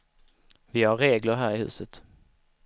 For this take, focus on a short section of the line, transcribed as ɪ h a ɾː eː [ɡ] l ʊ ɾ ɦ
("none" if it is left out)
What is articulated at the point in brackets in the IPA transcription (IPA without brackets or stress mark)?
ɡ